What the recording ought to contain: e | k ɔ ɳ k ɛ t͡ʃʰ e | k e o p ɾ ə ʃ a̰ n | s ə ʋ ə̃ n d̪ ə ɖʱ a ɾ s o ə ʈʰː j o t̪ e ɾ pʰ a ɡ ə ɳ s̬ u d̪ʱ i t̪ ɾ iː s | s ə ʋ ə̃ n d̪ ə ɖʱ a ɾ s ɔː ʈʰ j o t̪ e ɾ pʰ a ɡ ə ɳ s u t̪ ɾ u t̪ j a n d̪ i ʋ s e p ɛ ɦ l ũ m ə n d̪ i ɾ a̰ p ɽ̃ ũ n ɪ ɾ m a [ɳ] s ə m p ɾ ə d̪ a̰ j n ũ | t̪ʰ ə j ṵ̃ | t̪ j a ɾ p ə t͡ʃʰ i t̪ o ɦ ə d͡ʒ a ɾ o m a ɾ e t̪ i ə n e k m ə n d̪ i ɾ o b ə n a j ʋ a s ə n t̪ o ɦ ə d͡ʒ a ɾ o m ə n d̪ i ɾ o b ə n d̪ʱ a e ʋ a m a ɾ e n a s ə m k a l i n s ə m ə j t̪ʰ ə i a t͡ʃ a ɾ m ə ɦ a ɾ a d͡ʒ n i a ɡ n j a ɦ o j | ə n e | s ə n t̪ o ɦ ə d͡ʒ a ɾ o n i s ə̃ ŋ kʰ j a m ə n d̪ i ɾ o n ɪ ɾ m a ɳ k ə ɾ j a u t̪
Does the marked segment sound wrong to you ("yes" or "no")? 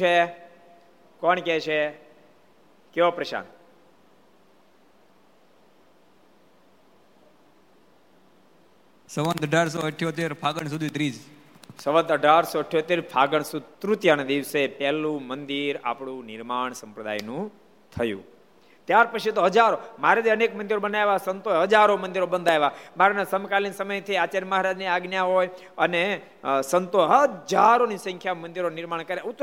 no